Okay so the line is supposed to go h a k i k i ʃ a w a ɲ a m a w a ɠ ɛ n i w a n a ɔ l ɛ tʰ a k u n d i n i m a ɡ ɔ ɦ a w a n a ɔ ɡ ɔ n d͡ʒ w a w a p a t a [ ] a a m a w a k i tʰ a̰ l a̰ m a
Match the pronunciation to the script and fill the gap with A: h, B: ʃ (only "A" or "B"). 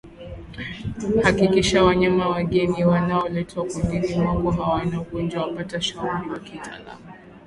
B